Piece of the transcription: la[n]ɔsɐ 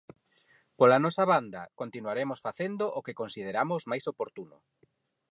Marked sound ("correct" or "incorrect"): correct